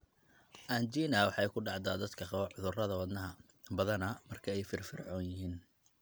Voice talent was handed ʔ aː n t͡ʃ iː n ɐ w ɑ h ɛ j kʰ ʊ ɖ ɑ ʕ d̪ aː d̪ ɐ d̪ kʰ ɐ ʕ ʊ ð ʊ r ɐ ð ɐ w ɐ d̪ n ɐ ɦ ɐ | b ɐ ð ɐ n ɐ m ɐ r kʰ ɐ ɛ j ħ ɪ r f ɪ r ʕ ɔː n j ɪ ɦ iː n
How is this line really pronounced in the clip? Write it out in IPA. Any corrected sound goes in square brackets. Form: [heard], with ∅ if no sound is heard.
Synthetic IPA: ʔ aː n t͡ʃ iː n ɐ w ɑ [ħ] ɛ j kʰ ʊ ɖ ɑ ʕ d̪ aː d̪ ɐ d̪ kʰ ɐ ʕ ʊ ð ʊ r ɐ ð ɐ w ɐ d̪ n ɐ ɦ ɐ | b ɐ ð ɐ n ɐ m ɐ r kʰ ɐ ɛ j [f] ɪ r f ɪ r ʕ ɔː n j ɪ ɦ iː n